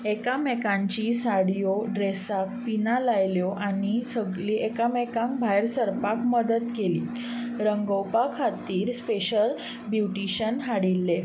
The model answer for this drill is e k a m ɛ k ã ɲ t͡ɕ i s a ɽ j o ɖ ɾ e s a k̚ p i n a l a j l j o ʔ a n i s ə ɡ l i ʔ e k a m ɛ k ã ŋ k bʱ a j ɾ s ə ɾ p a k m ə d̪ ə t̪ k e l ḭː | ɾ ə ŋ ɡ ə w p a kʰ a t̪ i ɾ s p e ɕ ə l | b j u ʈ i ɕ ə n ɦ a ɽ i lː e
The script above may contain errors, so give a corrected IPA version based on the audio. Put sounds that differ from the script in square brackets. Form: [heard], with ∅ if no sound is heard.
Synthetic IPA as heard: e k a m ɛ k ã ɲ t͡ɕ i s a ɽ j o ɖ ɾ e s a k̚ p i n a l a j l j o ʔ a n i s ə ɡ l i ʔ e k a m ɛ k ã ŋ k bʱ a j ɾ s ə ɾ p a k m ə d̪ ə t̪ k e l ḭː | ɾ ə ŋ ɡ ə w p a kʰ a t̪ [iː] ɾ s p e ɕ ə l | b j u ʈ i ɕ ə n ɦ a ɽ i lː e